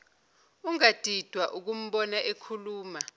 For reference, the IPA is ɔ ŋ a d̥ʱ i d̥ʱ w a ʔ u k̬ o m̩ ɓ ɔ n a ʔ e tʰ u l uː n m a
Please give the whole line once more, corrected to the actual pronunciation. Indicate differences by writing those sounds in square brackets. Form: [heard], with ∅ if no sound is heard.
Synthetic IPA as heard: [u] ŋ a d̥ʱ i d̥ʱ w a ʔ u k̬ [u] m̩ ɓ ɔ n a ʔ e [kʰ] u l uː [∅] m a